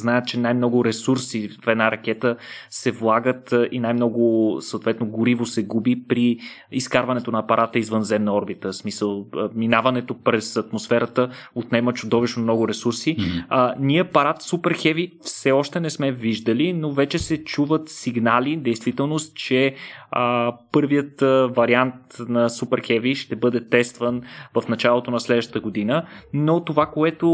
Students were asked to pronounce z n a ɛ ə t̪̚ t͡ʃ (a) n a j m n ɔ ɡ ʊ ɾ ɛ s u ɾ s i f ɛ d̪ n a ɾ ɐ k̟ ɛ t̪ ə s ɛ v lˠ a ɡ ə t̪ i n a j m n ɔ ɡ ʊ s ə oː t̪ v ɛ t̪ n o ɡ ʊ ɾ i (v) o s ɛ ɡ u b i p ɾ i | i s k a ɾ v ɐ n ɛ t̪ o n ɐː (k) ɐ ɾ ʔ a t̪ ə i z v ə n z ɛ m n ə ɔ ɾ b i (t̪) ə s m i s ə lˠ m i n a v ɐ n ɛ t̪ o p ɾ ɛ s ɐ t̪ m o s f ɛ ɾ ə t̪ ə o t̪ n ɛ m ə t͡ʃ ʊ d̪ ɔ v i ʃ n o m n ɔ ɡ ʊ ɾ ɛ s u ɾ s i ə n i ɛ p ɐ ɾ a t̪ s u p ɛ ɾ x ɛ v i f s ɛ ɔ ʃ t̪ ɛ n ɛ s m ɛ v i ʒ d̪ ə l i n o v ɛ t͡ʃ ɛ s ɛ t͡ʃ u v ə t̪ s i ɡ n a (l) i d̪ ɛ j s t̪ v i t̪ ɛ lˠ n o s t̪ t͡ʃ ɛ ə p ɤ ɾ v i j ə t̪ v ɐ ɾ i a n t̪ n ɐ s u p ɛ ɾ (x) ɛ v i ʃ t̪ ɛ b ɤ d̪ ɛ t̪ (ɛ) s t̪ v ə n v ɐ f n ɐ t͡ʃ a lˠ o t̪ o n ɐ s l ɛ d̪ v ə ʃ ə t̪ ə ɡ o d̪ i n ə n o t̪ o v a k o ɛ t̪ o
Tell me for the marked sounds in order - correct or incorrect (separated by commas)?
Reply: incorrect, correct, incorrect, correct, correct, correct, correct